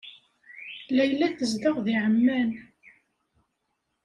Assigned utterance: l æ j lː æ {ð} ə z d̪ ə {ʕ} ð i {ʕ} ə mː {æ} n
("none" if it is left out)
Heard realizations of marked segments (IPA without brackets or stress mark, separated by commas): θ, ʁ, ʕ, æ